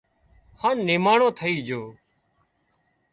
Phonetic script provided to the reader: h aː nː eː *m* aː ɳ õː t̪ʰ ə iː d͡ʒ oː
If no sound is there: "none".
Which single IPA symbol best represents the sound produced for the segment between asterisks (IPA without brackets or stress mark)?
m